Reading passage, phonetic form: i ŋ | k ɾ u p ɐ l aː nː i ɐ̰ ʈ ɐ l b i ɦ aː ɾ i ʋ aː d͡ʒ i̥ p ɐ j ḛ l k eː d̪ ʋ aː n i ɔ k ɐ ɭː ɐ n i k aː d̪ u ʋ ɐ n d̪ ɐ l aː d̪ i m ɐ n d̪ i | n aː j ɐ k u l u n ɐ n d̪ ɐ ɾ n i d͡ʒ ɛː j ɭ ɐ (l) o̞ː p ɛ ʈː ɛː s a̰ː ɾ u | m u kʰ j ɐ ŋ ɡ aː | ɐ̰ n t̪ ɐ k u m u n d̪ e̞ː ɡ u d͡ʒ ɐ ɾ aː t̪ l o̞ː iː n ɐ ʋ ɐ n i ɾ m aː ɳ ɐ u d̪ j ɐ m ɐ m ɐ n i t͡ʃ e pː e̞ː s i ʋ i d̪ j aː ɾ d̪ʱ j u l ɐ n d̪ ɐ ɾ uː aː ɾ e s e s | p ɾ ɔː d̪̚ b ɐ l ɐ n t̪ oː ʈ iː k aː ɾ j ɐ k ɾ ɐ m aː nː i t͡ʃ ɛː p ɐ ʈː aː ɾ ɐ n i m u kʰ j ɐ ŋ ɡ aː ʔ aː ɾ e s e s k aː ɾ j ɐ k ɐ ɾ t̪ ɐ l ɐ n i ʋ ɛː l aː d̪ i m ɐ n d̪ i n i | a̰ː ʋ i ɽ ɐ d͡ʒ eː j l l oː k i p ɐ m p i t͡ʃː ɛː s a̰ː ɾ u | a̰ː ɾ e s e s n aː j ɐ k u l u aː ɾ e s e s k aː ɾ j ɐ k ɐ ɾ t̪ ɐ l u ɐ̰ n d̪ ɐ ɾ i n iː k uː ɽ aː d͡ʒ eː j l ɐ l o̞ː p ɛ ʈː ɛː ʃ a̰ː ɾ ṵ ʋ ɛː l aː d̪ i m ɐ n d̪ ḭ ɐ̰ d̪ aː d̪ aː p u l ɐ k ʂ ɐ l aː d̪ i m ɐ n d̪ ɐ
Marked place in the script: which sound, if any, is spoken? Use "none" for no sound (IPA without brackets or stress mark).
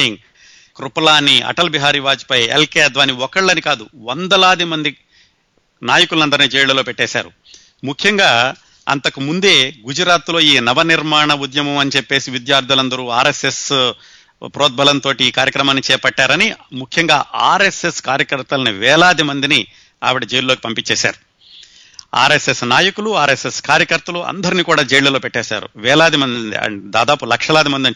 l